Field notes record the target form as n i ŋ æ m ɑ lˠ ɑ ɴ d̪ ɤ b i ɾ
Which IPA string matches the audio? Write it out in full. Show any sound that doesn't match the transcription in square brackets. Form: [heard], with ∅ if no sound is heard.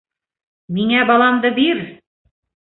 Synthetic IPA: [m] i ŋ æ [b] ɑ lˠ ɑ [m] d̪ ɤ b i ɾ

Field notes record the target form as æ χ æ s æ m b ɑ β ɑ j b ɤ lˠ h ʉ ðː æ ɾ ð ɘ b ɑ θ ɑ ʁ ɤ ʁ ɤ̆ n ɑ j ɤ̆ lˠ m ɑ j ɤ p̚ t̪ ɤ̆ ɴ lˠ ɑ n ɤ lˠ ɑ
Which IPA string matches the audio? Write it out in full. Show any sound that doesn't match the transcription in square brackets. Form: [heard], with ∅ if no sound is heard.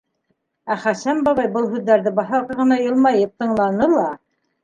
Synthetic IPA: æ χ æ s æ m b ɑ β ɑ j b ɤ lˠ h ʉ ðː æ ɾ ð ɘ b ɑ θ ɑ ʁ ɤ ʁ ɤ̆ n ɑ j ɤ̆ lˠ m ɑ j ɤ p̚ t̪ ɤ̆ ɴ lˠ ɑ n ɤ lˠ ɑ

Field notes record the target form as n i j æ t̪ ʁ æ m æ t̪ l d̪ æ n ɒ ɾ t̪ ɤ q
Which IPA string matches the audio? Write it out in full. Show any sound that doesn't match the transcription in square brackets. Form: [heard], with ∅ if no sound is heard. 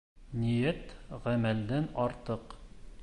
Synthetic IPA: n i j æ t̪ ʁ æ m æ [∅] l d̪ æ n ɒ ɾ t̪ ɤ q

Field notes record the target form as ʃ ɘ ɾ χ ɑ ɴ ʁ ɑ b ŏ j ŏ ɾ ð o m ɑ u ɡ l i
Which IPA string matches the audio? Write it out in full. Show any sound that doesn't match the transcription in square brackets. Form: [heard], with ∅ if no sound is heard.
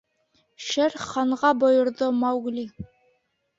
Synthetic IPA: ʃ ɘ ɾ χ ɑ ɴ ʁ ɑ b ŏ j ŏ ɾ ð o m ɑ [w] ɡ l i

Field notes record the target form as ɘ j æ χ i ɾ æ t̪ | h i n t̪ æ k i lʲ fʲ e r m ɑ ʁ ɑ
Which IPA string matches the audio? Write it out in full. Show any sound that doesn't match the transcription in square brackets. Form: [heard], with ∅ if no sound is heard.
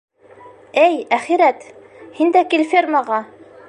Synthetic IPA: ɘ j æ χ i ɾ æ t̪ | h i n [d̪] æ k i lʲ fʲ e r m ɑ ʁ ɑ

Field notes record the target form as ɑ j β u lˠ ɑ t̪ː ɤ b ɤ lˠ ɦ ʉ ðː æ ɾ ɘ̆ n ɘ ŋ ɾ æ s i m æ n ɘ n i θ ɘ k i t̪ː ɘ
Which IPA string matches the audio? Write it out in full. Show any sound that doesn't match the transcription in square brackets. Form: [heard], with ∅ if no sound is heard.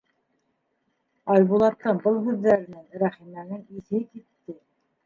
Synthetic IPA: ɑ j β u lˠ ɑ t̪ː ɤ b ɤ lˠ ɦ ʉ ðː æ ɾ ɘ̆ n ɘ ŋ ɾ æ [χ] i m æ n ɘ [ŋ] i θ ɘ k i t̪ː ɘ

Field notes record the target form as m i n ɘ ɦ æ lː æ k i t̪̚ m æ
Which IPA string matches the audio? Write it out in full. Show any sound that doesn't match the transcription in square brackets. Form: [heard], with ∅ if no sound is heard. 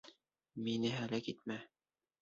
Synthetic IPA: m i n ɘ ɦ æ [l] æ k i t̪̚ m æ

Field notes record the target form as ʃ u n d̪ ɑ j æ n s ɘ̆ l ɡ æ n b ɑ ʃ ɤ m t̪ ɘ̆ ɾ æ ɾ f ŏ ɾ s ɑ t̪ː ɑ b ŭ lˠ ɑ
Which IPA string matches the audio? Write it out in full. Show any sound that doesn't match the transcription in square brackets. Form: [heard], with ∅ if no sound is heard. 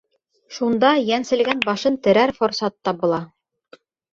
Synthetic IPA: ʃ u n d̪ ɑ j æ n s ɘ̆ l ɡ æ n b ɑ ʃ ɤ [n] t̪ ɘ̆ ɾ æ ɾ f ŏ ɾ s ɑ t̪ː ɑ b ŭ lˠ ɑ

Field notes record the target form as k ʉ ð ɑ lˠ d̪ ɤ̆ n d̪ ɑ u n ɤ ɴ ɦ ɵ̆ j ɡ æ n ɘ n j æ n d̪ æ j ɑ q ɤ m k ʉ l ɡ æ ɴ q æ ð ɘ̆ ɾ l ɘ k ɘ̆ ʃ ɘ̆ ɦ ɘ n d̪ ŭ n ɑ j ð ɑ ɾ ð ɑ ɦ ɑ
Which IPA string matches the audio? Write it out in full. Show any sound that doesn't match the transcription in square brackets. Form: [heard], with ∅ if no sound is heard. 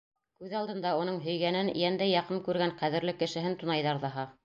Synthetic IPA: k ʉ ð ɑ lˠ d̪ ɤ̆ n d̪ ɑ u n ɤ ɴ ɦ ɵ̆ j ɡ æ n ɘ n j æ n d̪ æ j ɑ q ɤ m k ʉ [ɾ] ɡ æ ɴ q æ ð ɘ̆ ɾ l ɘ k ɘ̆ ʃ ɘ̆ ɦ ɘ n [t̪] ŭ n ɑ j ð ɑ ɾ ð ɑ ɦ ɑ

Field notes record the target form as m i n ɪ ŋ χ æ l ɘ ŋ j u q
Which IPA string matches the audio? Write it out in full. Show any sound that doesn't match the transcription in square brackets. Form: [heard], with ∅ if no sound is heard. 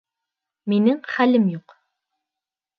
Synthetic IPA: m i n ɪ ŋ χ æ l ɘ [m] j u q

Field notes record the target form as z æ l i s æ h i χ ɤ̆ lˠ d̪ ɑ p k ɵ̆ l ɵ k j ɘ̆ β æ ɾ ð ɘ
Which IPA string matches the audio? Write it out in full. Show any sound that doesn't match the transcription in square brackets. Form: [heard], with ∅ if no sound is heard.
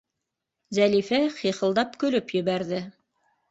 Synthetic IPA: z æ l i [f] æ [χ] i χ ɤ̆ lˠ d̪ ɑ p k ɵ̆ l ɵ [p] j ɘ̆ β æ ɾ ð ɘ

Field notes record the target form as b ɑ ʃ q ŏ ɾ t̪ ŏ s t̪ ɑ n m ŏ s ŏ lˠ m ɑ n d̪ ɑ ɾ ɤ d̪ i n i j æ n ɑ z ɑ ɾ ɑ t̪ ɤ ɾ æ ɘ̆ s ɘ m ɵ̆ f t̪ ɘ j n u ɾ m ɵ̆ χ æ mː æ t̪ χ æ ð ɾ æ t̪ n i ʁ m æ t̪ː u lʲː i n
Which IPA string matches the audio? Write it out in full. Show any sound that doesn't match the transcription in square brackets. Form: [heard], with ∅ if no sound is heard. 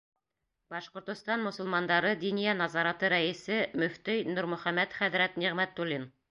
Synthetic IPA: b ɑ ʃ q ŏ ɾ t̪ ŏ s t̪ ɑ n m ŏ s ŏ lˠ m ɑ n d̪ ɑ ɾ ɤ d̪ i n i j æ n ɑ z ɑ ɾ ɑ t̪ ɤ ɾ æ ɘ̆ s ɘ m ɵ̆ f t̪ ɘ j n u ɾ m ɵ̆ χ æ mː æ t̪ χ æ ð ɾ æ t̪ n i ʁ m æ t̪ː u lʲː i n

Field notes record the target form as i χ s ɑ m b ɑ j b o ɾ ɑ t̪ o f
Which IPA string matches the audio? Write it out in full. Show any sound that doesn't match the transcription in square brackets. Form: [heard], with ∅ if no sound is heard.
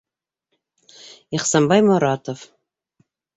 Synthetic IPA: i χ s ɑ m b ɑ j [m] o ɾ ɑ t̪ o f

